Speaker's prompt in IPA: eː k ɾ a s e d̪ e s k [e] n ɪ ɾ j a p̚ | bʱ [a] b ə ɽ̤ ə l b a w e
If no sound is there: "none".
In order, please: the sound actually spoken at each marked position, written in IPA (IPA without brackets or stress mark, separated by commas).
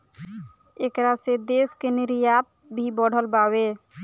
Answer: e, i